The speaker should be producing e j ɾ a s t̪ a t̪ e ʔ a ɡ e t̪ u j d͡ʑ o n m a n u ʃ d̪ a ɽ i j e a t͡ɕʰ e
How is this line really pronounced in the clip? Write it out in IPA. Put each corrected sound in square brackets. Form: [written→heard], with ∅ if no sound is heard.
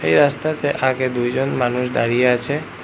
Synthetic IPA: e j ɾ a s t̪ a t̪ e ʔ a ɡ e [t̪→d̪] u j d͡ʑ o n m a n u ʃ d̪ a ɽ i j e a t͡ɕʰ e